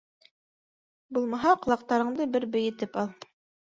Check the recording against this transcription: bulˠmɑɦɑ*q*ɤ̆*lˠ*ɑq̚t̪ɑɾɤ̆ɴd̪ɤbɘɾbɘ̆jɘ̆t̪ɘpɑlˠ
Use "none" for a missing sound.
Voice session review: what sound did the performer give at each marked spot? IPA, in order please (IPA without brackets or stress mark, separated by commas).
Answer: q, lˠ